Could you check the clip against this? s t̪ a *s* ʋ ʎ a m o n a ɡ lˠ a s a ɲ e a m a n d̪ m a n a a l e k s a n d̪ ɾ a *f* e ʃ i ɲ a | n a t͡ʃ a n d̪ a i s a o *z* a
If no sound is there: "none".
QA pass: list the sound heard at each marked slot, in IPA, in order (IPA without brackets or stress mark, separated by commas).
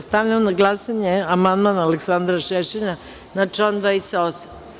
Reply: none, ʃ, s